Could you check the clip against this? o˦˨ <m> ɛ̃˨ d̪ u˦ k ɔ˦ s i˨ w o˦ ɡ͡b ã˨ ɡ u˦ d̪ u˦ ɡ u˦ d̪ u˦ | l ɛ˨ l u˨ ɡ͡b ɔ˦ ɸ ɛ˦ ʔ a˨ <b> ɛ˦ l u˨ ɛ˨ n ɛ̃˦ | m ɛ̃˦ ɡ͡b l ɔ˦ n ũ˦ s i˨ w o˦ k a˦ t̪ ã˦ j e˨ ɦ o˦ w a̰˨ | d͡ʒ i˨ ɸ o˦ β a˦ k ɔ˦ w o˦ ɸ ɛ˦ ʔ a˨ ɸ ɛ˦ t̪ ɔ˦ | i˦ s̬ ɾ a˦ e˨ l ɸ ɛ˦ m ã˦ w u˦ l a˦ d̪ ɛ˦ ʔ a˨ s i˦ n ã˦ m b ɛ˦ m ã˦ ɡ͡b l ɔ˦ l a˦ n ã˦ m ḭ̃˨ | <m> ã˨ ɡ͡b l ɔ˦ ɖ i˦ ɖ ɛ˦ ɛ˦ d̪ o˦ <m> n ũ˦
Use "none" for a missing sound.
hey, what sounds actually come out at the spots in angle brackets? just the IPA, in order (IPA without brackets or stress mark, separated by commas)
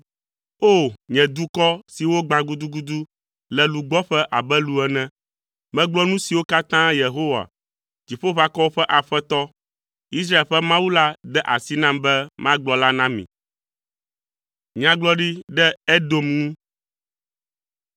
ɲ, b, ɲ, m